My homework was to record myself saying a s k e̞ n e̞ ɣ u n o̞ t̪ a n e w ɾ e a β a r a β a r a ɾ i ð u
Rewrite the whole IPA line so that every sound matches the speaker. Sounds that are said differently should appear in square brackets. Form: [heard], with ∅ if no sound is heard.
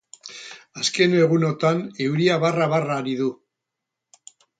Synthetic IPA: a s k e̞ n e̞ ɣ u n o̞ t̪ a n e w ɾ [i] a β a r a β a r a ɾ i ð u